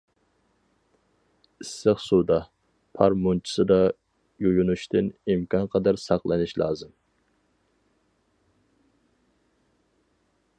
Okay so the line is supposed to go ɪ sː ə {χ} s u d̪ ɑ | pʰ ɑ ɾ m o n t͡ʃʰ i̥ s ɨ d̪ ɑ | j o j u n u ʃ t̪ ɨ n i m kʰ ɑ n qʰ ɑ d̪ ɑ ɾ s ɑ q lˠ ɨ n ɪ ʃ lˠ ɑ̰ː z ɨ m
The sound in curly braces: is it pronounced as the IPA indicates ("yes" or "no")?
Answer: yes